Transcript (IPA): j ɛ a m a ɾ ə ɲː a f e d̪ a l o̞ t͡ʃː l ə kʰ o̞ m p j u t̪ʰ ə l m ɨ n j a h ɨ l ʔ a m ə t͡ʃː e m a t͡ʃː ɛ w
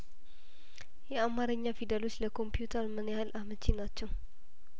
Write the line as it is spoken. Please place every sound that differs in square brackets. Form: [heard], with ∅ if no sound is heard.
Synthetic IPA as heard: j ɛ a m a ɾ ə ɲː a f [i] d̪ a l o̞ t͡ʃː l ə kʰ o̞ m p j u t̪ʰ ə [ɾ] m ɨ n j a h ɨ l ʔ a m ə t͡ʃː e [n] a t͡ʃː ɛ w